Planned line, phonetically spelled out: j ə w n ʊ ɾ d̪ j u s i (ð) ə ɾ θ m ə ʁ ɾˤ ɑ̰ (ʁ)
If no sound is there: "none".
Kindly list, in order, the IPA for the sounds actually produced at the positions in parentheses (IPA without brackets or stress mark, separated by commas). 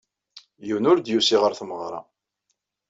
ʁ, none